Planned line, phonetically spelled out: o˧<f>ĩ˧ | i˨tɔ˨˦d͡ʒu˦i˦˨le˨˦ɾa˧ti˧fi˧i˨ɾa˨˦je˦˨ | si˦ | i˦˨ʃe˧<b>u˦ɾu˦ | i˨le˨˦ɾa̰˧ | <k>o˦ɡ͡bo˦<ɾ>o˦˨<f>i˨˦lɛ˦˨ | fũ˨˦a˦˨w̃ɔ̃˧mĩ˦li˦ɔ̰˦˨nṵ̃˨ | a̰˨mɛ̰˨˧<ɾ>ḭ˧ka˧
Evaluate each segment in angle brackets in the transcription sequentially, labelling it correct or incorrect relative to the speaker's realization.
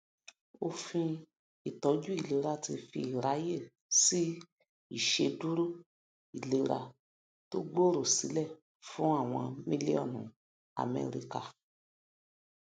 correct, incorrect: d, incorrect: t, correct, incorrect: s, correct

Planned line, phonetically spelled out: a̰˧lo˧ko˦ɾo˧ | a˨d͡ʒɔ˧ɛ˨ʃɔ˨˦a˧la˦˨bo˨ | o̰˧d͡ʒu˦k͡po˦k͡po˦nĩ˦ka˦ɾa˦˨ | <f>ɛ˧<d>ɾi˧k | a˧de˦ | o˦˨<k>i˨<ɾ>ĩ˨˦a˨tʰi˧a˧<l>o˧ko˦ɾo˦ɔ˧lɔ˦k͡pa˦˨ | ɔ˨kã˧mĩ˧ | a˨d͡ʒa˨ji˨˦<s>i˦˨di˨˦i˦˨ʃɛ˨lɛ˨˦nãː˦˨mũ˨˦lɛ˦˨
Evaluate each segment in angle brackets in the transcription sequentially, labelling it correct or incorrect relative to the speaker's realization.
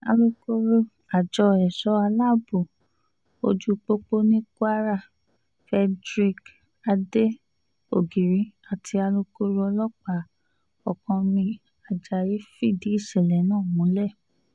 correct, correct, incorrect: ɡ, correct, correct, incorrect: f

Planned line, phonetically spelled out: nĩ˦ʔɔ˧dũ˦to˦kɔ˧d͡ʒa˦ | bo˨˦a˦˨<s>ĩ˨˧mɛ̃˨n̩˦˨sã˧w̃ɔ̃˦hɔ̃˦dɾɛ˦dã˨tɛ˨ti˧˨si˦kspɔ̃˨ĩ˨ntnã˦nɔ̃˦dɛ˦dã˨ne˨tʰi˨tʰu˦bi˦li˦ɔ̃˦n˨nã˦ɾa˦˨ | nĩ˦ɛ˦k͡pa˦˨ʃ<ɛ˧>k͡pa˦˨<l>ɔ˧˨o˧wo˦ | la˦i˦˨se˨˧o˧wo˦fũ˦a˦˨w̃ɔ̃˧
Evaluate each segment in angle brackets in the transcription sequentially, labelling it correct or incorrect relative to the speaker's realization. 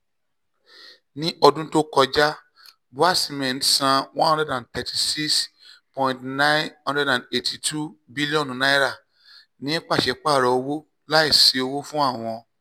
correct, correct, incorrect: ɾ

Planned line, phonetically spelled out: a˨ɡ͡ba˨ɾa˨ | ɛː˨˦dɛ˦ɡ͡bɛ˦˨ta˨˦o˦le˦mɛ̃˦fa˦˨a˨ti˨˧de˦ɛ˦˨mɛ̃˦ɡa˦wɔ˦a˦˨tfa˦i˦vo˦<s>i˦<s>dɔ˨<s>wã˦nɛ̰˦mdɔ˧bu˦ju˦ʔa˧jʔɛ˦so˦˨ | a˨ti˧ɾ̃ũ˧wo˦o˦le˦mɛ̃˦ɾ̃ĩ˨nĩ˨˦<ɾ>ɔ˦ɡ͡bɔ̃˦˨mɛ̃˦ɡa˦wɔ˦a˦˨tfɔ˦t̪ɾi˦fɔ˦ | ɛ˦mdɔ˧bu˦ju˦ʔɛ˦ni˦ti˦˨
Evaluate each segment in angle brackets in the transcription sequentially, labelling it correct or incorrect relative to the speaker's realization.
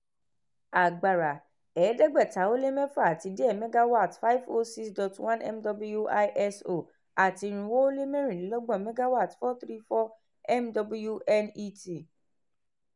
correct, correct, incorrect: t, incorrect: l

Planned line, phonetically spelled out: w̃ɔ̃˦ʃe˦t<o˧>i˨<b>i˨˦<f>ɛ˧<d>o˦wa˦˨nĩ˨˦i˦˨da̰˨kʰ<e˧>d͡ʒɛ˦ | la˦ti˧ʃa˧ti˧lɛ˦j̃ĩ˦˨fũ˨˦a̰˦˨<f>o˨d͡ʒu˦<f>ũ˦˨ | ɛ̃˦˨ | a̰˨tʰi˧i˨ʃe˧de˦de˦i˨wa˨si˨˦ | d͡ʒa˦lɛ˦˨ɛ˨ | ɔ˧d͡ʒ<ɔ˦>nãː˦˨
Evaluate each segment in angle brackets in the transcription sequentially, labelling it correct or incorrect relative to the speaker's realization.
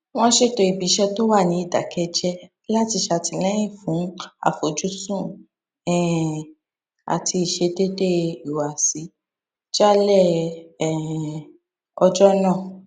correct, correct, incorrect: ʃ, incorrect: t, incorrect: ɛ˧, correct, incorrect: s, correct

